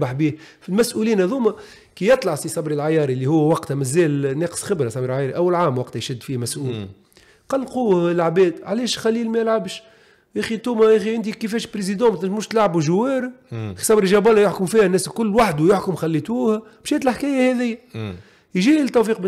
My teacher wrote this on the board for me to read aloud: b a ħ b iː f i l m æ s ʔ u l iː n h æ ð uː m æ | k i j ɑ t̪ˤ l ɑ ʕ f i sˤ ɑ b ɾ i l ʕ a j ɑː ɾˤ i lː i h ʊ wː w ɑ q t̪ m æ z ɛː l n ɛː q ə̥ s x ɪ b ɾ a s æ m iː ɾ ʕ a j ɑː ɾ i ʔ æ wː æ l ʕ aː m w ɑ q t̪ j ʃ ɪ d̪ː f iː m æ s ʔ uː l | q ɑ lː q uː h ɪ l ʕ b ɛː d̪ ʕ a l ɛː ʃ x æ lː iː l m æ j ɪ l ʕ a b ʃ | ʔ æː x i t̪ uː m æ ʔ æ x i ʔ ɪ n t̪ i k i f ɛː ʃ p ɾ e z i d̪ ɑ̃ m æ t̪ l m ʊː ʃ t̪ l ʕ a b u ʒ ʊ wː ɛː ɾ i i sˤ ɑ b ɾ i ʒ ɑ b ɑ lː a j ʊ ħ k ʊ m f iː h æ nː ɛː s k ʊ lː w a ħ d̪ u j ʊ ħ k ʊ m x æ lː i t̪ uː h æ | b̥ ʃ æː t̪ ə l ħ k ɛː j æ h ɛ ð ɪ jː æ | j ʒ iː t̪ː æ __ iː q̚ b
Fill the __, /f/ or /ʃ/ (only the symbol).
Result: f